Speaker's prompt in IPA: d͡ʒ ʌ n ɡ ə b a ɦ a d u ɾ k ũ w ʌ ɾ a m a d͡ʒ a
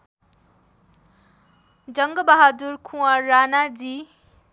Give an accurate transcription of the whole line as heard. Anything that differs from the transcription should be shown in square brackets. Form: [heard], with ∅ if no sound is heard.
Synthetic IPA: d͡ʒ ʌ [ŋ] ɡ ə b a ɦ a d u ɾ [kʰ] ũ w [a] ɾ a [n] a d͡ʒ [i]